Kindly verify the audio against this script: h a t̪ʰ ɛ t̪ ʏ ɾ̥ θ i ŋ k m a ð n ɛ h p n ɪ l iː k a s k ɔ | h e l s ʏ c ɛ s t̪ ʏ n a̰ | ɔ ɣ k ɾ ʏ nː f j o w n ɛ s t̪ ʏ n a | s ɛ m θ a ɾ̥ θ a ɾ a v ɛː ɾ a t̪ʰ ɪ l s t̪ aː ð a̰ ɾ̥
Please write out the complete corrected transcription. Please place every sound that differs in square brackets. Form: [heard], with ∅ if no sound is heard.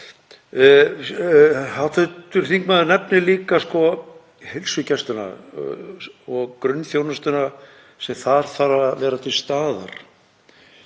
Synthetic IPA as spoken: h a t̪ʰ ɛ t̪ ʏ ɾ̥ θ i ŋ k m a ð n ɛ [∅] p n ɪ l iː k a s k ɔ | h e l s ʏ c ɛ s t̪ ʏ n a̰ | ɔ ɣ k ɾ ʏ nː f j o w n [a] s t̪ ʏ n a | s ɛ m θ a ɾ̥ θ a ɾ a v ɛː ɾ a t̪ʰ ɪ l s t̪ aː ð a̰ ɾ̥

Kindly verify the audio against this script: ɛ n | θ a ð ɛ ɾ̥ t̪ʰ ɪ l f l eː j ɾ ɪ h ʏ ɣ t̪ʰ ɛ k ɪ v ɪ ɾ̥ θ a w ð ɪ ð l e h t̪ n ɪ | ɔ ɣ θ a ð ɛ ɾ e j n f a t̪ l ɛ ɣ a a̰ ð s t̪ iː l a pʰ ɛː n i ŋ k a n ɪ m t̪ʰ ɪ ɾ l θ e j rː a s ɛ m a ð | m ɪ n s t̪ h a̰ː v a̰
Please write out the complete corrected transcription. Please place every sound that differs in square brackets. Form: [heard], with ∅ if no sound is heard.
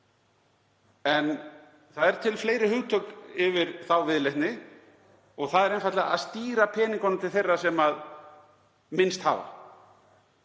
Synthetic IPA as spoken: ɛ n | θ a ð ɛ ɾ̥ t̪ʰ ɪ l f l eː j ɾ ɪ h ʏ ɣ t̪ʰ [œ] k ɪ v ɪ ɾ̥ θ a w [v] ɪ ð l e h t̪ n ɪ | ɔ ɣ θ a ð ɛ ɾ e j n f a t̪ l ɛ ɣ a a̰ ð s t̪ iː [ɾ] a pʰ ɛː n i ŋ k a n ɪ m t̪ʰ ɪ [∅] l θ e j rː a s ɛ m a ð | m ɪ n s t̪ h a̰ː v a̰

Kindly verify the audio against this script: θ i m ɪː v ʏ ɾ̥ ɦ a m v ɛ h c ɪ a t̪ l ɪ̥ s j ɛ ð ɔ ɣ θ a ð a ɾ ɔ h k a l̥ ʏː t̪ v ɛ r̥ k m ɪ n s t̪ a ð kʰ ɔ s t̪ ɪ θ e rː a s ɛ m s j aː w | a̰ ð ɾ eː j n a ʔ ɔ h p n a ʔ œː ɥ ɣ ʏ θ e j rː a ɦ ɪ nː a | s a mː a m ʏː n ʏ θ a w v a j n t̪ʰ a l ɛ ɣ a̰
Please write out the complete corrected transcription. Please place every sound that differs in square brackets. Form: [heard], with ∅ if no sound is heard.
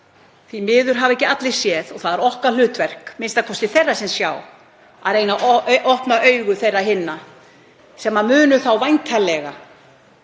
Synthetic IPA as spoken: θ i m ɪː [ð] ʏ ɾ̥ ɦ a [∅] v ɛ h c ɪ a t̪ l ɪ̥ s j ɛ ð ɔ ɣ θ a ð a ɾ ɔ h k a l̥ ʏː t̪ v ɛ r̥ k m ɪ n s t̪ a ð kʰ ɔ s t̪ ɪ θ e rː a s ɛ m s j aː w | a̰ ð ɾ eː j n a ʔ ɔ h p n a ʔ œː ɥ ɣ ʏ θ e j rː a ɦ ɪ nː a | s [ɛ] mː a m ʏː n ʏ θ a w v a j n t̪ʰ a l ɛ ɣ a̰

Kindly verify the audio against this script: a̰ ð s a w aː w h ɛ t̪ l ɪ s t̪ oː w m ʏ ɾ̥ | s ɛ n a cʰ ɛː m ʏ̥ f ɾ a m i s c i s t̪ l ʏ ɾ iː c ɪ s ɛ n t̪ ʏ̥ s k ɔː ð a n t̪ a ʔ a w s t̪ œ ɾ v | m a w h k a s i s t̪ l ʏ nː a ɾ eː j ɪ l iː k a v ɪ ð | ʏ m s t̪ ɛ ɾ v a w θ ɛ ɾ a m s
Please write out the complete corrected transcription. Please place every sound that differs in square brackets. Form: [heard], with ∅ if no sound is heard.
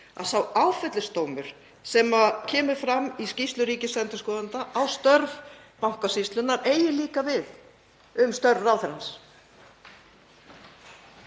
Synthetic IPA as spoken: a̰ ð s a w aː w [f] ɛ t̪ l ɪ s t̪ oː w m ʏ ɾ̥ | s ɛ [m] a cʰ ɛː m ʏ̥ f ɾ a m i s c i s t̪ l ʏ ɾ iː c ɪ s ɛ n t̪ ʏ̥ s k ɔː ð a n t̪ a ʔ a w s t̪ œ ɾ v | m a w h k a s i s t̪ l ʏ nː a ɾ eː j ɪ l iː k a v ɪ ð | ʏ m s t̪ [œ] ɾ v a w θ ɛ ɾ a [n] s

